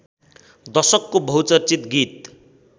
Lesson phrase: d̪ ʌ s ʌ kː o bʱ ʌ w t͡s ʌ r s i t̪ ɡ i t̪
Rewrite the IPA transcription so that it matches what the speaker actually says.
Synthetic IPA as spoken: d̪ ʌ s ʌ kː o bʱ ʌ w t͡s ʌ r t͡s i t̪ ɡ i t̪